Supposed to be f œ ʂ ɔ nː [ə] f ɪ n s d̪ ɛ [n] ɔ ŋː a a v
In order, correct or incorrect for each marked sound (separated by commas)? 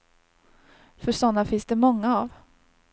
incorrect, incorrect